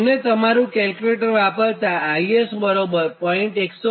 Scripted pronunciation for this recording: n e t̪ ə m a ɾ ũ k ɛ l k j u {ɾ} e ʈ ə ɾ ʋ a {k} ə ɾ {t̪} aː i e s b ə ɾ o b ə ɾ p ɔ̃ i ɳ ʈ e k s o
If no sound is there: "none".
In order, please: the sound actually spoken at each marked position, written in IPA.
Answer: l, p, t̪

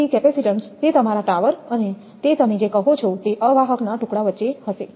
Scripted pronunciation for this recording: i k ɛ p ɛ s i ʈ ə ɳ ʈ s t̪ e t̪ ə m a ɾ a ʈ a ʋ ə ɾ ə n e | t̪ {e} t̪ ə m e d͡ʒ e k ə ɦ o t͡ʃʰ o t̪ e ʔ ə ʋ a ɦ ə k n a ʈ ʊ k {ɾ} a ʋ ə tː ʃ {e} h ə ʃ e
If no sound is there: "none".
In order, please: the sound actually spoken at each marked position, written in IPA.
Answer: e, ɽ, e

